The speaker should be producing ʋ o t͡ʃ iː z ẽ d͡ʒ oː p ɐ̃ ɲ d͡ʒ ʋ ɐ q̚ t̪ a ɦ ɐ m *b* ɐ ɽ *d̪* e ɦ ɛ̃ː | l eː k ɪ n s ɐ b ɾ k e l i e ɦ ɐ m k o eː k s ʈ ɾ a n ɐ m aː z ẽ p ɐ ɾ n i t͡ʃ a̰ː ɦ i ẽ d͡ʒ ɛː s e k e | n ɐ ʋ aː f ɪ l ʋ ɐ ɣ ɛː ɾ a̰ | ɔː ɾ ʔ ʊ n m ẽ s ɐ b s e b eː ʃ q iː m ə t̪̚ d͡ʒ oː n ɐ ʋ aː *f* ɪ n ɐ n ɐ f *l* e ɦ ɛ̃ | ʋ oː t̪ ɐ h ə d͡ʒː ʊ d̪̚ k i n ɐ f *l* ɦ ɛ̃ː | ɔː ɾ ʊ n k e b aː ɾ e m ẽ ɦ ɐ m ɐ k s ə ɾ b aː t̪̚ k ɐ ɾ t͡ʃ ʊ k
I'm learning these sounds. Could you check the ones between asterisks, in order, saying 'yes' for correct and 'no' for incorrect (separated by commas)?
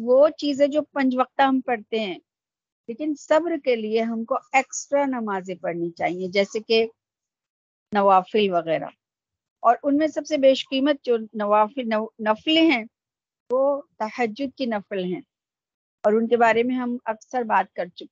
no, no, yes, yes, yes